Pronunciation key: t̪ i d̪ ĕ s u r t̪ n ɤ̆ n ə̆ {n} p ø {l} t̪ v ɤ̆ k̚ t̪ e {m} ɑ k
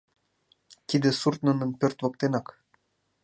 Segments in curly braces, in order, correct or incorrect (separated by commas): correct, incorrect, incorrect